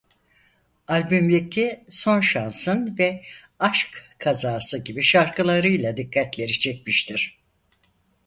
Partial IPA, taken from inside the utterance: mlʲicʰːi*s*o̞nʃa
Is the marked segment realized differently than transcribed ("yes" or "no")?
no